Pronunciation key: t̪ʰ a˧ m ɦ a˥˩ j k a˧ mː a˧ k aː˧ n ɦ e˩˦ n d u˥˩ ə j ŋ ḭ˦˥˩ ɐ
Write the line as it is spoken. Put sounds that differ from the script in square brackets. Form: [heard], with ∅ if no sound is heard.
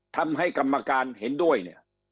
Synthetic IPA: t̪ʰ a˧ m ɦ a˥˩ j k a˧ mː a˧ k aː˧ n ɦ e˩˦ n d u˥˩ ə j [n] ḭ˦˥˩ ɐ